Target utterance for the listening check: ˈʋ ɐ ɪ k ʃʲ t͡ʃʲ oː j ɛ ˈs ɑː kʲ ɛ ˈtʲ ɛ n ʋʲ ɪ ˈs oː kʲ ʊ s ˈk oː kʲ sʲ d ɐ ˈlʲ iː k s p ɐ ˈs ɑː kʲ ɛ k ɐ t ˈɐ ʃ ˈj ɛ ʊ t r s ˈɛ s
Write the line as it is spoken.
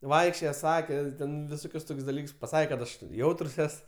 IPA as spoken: ˈʋ ɐ ɪ k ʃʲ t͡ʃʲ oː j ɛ ˈs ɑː kʲ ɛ ˈtʲ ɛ n ʋʲ ɪ ˈs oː kʲ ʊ s ˈt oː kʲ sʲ d ɐ ˈlʲ iː k s p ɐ ˈs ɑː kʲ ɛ k ɐ t ˈɐ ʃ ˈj ɛ ʊ t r s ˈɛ s